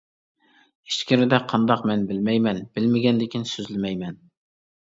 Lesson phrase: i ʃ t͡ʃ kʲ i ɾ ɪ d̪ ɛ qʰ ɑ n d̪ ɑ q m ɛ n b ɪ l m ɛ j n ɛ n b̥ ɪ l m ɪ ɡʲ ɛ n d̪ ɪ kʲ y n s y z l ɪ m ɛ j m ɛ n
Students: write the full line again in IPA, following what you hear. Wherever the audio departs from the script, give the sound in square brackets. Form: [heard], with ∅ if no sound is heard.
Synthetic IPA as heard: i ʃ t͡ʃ kʲ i ɾ ɪ d̪ ɛ qʰ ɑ n d̪ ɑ q m ɛ n b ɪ l m ɛ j [m] ɛ n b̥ ɪ l m ɪ ɡʲ ɛ n d̪ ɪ kʲ [i] n s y z l ɪ m ɛ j m ɛ n